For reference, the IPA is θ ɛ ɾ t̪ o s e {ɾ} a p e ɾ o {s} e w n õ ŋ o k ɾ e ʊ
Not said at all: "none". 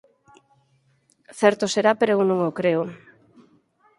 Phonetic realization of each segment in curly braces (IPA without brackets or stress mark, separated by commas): ɾ, none